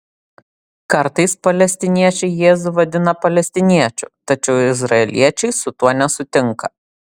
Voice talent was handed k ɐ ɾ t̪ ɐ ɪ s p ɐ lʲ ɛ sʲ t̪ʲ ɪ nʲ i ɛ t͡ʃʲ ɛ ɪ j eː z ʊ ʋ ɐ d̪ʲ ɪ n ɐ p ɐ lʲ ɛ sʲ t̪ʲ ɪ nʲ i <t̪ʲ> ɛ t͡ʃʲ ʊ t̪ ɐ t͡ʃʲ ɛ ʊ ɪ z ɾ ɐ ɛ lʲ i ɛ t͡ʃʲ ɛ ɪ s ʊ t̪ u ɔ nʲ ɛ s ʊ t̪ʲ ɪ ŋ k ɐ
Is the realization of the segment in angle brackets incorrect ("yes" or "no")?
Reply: yes